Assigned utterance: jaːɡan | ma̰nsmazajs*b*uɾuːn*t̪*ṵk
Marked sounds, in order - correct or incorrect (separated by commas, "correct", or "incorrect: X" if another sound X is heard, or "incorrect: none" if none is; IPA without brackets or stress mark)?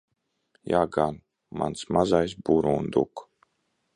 correct, incorrect: d̪